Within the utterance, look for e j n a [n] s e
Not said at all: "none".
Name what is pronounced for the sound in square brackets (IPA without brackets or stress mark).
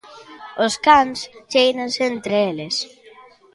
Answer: n